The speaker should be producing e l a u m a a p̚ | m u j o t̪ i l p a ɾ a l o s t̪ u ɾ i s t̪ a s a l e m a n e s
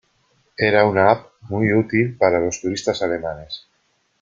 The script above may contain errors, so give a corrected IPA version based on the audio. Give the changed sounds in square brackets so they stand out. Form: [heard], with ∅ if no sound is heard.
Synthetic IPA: e [ɾ] a u [n] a a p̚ | m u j [u] t̪ i l p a ɾ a l o s t̪ u ɾ i s t̪ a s a l e m a n e s